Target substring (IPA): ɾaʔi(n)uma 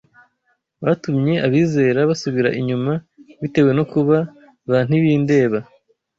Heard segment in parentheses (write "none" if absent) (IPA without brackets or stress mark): ɲ